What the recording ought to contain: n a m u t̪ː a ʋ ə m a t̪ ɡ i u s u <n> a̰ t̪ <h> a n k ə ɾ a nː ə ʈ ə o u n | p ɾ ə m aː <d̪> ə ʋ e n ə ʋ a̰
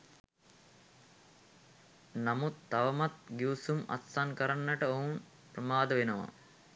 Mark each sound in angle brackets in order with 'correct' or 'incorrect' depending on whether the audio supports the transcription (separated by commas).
incorrect, incorrect, correct